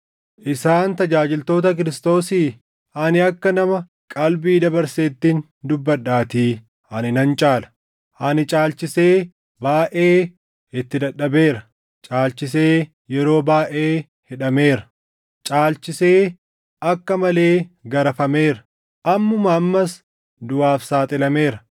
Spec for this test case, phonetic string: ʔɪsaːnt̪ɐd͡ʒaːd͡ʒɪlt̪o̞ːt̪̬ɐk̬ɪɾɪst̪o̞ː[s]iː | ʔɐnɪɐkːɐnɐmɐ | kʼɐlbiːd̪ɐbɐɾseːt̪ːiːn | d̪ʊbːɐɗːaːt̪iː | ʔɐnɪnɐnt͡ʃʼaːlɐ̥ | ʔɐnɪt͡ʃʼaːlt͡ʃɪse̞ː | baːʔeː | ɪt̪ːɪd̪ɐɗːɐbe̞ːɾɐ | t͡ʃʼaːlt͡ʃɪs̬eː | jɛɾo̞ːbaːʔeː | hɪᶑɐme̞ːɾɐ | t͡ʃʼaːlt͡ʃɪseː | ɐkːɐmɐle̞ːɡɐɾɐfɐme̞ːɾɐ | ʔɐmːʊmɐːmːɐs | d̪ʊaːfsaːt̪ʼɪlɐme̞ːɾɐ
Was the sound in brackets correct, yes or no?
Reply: yes